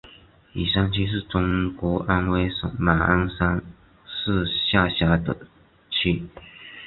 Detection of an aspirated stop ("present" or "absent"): present